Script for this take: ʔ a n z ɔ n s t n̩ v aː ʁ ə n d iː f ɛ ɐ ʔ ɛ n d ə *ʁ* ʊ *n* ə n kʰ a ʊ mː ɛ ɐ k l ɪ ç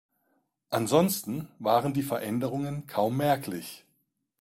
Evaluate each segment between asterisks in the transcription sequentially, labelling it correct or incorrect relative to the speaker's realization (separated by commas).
correct, incorrect